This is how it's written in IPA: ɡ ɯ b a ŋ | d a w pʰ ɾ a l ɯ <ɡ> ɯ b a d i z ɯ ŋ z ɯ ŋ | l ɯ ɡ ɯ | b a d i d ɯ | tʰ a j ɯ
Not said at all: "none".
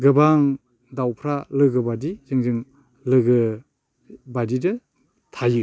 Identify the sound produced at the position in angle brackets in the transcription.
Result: ɡ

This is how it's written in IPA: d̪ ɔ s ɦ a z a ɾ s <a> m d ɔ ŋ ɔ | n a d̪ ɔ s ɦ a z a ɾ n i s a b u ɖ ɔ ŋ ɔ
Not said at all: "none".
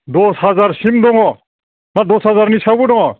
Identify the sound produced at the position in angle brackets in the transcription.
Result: i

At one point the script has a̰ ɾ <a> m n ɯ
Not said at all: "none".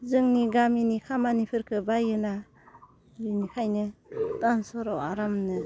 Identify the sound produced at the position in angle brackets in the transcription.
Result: a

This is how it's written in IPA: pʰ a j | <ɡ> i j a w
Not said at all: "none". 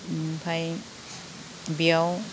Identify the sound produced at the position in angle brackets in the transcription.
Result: b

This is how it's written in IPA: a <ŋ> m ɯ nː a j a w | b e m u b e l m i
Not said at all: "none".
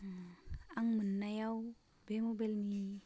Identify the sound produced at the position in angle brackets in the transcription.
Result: ŋ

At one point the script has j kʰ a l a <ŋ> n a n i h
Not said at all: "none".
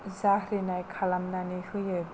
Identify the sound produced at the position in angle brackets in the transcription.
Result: m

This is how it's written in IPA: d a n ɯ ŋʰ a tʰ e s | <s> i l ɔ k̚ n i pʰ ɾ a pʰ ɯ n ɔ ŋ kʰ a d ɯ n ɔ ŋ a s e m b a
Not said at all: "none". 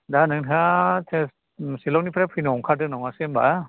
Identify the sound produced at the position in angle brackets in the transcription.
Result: s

